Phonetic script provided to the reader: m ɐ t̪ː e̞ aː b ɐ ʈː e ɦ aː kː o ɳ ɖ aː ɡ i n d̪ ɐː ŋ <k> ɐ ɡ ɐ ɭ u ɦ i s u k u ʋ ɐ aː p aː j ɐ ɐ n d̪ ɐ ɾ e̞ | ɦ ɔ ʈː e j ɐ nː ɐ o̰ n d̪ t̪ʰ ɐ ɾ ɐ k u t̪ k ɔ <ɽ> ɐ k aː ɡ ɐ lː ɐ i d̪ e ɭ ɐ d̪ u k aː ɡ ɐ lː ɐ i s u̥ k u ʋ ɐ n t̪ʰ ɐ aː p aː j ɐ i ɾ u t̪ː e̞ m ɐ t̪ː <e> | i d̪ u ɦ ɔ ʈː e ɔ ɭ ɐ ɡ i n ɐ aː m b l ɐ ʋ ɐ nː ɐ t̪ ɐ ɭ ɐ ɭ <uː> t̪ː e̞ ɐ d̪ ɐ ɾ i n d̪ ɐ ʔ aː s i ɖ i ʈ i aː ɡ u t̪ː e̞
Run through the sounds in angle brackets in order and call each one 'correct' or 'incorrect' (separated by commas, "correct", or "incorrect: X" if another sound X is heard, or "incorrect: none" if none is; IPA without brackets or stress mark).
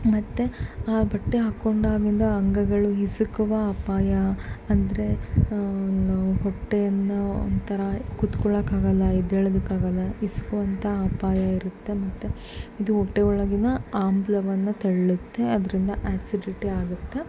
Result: incorrect: ɡ, incorrect: ɭ, correct, incorrect: u